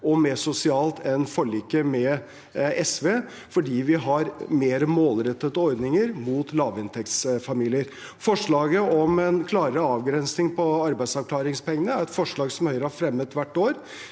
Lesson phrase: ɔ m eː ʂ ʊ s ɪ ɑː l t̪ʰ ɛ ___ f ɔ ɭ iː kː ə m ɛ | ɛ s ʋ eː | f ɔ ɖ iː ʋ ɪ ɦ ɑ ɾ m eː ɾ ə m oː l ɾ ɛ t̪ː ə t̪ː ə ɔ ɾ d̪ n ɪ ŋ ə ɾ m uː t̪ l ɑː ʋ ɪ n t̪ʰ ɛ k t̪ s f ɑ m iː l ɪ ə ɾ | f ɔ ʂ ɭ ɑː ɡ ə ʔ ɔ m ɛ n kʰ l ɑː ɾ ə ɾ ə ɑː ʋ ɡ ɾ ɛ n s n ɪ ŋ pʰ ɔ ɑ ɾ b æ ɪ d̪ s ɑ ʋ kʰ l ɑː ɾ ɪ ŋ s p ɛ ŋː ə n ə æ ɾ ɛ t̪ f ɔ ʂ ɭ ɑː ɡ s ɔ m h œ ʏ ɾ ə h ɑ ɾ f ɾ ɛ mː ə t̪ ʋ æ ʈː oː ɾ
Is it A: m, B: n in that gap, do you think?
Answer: B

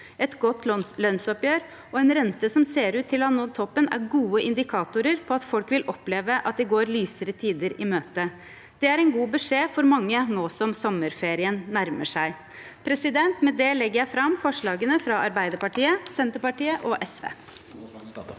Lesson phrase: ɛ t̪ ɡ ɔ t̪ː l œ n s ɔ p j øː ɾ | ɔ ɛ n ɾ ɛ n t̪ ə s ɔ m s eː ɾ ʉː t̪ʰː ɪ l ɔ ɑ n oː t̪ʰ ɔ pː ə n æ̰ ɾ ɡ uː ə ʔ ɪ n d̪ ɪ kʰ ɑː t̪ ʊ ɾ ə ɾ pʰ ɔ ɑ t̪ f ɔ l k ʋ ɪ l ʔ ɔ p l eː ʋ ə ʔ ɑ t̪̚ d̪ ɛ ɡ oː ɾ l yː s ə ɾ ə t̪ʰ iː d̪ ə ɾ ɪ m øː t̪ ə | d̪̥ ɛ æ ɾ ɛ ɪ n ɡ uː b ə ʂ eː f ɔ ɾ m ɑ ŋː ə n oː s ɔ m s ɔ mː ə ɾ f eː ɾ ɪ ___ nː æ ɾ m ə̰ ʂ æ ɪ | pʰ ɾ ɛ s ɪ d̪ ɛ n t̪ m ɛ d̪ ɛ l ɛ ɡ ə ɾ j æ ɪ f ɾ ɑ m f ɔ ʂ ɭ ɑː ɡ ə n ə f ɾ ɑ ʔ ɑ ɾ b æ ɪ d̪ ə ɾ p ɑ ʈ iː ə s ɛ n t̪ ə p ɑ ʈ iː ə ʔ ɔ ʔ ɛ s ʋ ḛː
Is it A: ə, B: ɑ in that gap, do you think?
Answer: A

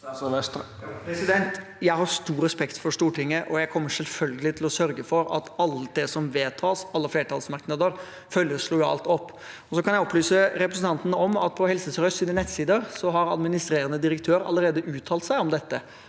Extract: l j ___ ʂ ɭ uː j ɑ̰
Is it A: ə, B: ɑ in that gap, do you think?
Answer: A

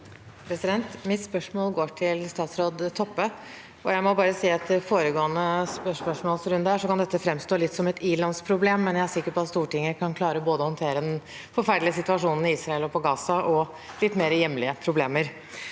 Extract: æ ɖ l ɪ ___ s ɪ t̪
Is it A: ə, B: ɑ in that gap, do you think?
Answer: A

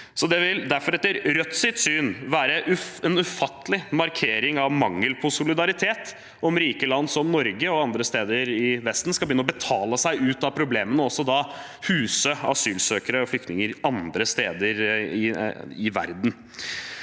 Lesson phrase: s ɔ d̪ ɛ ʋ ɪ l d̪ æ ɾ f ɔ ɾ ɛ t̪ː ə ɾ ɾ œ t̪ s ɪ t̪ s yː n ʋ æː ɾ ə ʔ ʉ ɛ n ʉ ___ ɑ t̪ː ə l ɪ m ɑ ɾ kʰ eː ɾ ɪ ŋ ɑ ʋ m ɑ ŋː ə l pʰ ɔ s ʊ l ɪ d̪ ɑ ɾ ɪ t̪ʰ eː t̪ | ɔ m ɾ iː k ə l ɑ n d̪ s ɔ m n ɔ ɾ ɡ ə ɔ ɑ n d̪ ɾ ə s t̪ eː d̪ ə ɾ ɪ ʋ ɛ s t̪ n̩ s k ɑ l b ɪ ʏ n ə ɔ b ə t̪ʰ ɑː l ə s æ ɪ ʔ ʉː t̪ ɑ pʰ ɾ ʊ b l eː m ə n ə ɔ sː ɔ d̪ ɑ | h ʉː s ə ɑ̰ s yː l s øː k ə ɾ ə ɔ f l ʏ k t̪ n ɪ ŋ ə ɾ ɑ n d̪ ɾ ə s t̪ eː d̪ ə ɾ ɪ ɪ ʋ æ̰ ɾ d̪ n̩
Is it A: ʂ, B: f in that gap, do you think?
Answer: B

